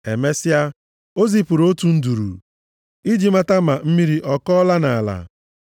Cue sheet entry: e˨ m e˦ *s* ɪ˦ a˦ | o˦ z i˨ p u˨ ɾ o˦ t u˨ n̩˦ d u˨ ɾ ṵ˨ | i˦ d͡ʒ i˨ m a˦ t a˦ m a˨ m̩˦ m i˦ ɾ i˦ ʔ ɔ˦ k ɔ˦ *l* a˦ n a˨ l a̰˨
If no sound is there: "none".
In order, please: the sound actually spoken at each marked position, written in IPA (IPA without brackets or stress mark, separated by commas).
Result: s, l